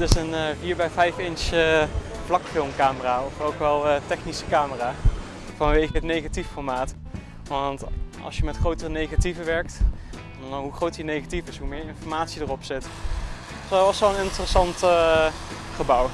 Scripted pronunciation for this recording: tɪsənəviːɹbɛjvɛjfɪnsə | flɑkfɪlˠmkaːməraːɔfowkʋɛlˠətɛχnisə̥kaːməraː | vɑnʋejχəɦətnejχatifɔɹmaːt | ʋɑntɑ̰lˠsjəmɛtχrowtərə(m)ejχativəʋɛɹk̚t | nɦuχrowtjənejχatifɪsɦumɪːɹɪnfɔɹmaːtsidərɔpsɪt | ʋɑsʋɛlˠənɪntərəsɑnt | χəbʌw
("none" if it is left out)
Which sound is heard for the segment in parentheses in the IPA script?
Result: n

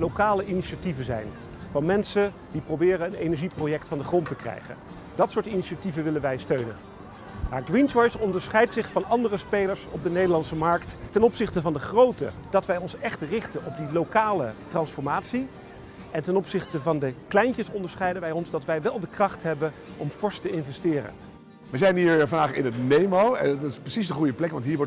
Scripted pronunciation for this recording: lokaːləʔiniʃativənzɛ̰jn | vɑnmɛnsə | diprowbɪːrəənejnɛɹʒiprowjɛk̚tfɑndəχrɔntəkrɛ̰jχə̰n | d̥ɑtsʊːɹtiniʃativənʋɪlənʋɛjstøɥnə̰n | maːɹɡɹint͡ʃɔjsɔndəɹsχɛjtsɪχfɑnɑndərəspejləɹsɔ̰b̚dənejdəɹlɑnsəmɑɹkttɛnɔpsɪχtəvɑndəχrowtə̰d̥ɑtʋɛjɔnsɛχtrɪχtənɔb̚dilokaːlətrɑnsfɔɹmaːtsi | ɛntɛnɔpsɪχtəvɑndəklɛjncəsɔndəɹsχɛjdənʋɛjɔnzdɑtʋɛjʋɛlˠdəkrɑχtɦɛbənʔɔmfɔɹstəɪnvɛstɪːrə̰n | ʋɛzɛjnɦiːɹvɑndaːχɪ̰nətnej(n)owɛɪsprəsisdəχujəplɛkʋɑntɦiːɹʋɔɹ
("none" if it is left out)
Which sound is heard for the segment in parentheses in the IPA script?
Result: m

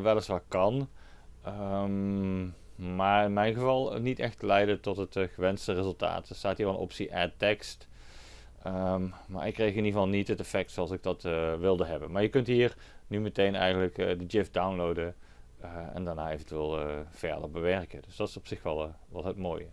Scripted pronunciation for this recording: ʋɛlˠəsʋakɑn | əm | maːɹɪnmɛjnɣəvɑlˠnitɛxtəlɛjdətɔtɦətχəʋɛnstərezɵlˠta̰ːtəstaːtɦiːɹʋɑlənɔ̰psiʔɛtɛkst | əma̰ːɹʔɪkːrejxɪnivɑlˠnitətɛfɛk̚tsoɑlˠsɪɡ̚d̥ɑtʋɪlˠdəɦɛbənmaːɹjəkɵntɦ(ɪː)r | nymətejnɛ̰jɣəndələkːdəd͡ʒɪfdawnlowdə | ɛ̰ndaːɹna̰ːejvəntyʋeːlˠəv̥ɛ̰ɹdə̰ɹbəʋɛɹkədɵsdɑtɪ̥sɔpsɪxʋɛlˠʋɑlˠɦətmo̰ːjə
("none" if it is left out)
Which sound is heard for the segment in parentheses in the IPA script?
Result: iː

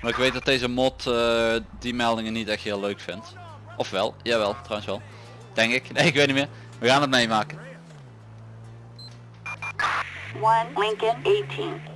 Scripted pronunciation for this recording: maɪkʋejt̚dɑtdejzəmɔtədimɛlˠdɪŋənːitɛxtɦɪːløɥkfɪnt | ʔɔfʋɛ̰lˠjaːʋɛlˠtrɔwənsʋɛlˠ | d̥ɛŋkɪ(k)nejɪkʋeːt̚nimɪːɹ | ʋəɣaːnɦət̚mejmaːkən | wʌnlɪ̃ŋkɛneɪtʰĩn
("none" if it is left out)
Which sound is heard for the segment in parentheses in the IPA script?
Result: k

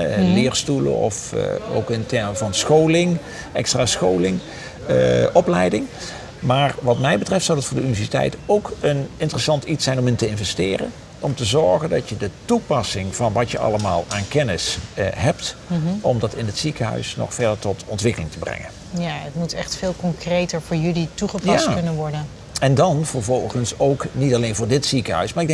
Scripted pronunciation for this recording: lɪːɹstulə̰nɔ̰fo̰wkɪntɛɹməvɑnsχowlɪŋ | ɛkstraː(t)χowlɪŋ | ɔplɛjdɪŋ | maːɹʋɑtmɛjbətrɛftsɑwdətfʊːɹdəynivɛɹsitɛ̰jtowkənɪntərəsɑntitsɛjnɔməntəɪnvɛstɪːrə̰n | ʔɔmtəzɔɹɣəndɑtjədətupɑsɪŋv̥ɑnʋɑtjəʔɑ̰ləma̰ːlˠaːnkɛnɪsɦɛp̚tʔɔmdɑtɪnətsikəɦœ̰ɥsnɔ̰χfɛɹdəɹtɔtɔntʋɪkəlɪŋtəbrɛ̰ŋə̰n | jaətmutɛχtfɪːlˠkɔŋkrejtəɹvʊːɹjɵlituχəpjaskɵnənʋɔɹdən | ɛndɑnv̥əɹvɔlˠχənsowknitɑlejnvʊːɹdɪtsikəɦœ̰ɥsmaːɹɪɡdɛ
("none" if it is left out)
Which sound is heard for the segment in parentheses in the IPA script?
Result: s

